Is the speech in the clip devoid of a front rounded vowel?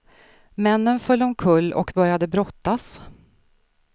no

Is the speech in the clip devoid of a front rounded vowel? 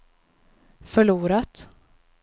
no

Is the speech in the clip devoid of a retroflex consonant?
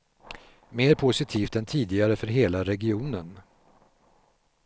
yes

